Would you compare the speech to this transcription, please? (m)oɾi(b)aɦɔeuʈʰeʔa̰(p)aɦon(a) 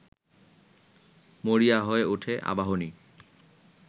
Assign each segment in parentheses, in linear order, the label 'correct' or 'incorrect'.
correct, incorrect: none, incorrect: b, incorrect: i

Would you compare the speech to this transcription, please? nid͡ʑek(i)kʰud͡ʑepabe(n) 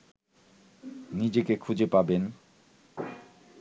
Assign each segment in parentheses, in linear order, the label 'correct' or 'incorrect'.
incorrect: e, correct

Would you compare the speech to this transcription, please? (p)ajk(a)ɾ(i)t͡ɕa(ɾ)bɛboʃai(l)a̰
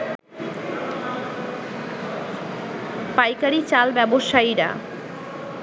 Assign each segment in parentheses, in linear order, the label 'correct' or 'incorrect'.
correct, correct, correct, incorrect: l, incorrect: ɾ

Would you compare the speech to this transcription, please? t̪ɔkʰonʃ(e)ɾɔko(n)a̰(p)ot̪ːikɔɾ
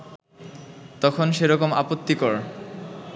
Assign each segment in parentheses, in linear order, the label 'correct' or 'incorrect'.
correct, incorrect: m, correct

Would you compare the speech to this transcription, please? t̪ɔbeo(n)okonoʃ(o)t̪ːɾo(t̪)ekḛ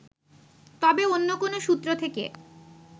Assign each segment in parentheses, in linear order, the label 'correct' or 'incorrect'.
incorrect: nː, incorrect: u, incorrect: t̪ʰ

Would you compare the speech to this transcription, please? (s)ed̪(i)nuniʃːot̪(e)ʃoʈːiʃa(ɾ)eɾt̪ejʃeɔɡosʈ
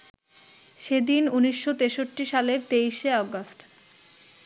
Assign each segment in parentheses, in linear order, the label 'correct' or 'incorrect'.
incorrect: ʃ, correct, correct, incorrect: l

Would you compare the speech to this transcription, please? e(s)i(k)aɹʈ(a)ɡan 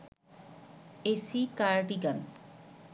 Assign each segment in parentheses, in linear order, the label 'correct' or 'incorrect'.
correct, correct, incorrect: i

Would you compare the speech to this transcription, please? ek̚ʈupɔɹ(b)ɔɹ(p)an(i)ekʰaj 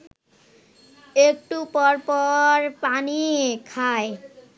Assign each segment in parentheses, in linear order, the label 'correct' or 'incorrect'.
incorrect: p, correct, correct

